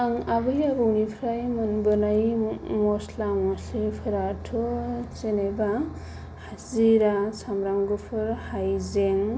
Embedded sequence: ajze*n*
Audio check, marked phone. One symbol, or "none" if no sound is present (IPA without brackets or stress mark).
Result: ŋ